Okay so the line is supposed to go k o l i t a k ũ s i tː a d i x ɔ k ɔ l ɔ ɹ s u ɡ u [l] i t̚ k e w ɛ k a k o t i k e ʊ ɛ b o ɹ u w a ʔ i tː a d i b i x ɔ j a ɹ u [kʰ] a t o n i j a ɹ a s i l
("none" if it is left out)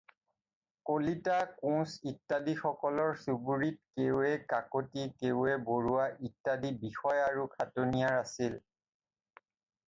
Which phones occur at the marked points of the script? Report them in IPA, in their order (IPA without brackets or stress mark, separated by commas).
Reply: ɹ, kʰ